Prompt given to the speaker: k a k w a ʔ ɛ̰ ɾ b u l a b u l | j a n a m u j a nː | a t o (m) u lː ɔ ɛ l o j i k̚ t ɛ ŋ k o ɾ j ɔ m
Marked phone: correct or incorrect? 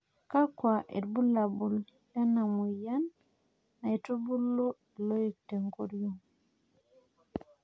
incorrect